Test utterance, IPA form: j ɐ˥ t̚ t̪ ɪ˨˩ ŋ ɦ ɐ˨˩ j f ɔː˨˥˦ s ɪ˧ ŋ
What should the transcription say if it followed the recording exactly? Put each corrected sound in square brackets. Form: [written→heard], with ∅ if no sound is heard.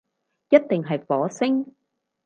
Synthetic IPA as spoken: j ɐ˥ t̚ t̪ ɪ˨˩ ŋ ɦ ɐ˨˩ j f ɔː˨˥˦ s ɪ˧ ŋ